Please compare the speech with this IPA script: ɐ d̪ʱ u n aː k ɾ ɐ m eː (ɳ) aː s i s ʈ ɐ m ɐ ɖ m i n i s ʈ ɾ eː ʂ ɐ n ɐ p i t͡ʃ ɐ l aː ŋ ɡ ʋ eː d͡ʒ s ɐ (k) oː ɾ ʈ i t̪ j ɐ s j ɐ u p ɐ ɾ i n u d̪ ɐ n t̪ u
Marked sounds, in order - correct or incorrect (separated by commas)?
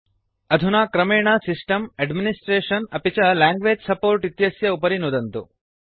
correct, incorrect